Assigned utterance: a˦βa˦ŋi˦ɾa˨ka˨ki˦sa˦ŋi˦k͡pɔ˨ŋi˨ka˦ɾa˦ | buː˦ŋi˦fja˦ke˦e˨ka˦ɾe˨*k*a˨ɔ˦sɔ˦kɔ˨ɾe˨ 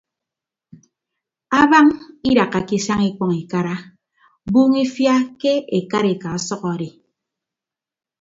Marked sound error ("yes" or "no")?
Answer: no